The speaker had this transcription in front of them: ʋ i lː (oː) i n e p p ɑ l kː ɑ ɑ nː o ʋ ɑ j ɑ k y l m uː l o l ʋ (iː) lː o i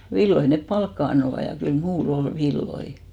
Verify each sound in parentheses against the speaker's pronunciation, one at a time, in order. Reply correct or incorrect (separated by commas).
incorrect, incorrect